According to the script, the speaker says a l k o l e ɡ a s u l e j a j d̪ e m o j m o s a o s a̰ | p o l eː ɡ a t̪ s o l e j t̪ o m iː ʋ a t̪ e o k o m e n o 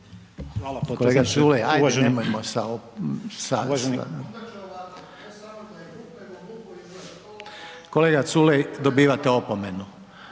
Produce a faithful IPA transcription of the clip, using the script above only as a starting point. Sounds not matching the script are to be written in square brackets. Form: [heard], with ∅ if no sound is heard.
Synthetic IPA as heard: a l k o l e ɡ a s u l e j a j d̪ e m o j m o s a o s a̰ | [k] o l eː ɡ a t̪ s [u] l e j [d̪] o [b] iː ʋ a t̪ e o [p] o m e n [u]